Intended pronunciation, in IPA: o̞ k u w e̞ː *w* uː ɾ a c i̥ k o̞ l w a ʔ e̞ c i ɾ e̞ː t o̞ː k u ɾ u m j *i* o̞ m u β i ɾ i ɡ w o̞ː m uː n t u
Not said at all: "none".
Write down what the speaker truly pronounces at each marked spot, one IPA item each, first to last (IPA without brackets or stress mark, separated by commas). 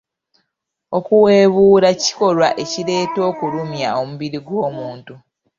β, a